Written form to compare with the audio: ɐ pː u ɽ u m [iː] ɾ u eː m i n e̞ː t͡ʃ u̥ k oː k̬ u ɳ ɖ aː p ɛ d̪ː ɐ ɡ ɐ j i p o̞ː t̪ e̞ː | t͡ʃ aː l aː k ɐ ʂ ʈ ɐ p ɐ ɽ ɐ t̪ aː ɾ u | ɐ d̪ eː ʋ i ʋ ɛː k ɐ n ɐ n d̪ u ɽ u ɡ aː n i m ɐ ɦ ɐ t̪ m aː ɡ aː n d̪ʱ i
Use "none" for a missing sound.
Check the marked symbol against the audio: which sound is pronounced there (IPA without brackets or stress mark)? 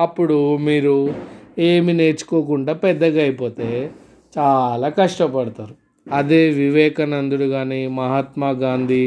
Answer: iː